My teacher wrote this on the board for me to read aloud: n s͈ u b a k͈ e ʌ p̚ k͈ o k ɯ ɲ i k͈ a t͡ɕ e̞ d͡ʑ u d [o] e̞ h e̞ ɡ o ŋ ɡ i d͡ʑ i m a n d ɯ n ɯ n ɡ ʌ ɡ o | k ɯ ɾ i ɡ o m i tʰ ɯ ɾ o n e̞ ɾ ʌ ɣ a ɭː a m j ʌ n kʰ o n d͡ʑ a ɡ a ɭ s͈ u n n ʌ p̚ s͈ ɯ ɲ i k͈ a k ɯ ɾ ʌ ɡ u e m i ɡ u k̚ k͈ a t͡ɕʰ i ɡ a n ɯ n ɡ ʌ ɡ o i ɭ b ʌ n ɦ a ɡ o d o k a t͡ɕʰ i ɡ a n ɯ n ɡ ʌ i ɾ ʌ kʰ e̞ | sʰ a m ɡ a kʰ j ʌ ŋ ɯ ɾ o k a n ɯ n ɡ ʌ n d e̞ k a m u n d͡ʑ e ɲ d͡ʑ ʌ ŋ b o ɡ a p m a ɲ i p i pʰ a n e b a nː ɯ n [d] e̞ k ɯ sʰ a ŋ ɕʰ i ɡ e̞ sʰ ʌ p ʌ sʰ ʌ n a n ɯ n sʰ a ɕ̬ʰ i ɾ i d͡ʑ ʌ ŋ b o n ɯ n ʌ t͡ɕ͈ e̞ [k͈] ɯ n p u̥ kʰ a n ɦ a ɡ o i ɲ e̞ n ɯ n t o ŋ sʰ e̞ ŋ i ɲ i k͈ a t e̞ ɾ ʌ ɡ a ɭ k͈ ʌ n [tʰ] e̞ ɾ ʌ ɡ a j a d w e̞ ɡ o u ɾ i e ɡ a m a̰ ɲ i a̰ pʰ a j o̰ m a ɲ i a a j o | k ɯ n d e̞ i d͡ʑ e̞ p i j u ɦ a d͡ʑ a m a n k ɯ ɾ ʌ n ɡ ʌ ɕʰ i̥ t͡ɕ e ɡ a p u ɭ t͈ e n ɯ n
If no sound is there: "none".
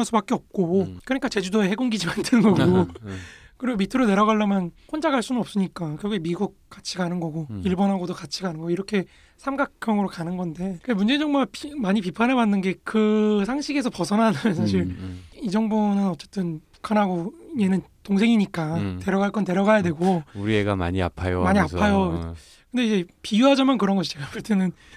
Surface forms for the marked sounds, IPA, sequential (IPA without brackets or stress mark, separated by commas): o, ɡ, t͈, t